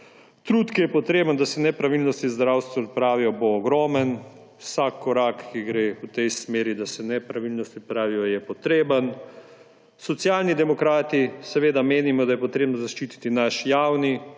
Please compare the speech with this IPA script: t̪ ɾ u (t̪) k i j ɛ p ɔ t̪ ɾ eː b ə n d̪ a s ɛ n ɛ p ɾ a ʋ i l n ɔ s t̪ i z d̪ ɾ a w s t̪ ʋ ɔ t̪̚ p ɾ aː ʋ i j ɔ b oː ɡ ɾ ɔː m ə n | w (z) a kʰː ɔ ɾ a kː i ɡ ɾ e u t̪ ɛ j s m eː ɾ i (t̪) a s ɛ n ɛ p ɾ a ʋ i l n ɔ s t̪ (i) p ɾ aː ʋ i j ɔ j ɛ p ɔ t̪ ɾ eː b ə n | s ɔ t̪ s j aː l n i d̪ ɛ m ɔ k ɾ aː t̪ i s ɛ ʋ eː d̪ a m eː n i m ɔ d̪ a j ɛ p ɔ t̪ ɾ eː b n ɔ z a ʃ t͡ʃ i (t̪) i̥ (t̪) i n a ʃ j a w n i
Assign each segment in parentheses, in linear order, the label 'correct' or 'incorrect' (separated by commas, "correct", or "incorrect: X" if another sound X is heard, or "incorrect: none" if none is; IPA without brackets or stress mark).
correct, incorrect: s, incorrect: d̪, correct, correct, correct